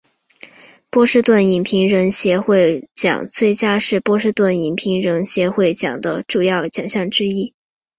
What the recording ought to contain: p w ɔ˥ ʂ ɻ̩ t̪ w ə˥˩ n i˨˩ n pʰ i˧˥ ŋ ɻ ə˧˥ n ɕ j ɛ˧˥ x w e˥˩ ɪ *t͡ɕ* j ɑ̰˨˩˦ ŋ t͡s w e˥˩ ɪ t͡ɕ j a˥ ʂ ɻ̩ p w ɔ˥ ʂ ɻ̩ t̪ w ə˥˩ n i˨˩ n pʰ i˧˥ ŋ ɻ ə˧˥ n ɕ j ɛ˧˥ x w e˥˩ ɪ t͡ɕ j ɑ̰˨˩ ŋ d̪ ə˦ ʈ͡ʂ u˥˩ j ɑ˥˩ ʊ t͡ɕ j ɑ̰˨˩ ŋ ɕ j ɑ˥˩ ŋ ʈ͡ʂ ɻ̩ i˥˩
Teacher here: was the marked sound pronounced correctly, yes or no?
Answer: yes